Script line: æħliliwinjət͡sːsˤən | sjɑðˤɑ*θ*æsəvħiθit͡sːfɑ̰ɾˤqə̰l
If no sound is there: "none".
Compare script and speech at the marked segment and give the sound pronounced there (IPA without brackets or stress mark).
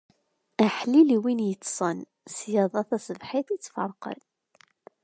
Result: θ